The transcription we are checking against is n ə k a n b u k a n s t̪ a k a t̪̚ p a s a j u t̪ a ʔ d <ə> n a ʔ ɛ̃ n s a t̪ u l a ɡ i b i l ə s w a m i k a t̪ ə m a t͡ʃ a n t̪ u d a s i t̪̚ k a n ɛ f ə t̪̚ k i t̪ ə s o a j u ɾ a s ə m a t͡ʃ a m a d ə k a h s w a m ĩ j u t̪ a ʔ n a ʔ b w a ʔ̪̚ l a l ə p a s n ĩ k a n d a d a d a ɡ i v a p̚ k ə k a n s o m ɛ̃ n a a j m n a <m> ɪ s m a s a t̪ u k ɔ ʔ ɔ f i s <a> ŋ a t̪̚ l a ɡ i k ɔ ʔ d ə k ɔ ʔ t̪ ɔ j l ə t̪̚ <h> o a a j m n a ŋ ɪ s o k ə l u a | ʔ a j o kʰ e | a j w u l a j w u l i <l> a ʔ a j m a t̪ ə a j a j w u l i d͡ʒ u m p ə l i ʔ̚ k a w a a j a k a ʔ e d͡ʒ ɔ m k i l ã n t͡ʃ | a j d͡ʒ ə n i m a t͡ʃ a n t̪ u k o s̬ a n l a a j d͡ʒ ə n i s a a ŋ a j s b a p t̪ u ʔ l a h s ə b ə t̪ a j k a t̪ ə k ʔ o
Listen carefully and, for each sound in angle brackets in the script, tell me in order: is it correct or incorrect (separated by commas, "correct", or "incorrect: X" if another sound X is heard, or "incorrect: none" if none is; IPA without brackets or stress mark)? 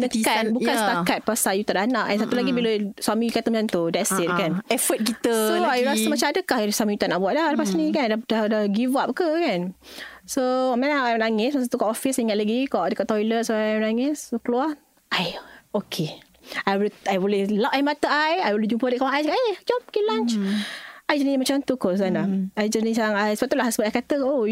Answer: incorrect: a, incorrect: ŋ, incorrect: i, incorrect: s, correct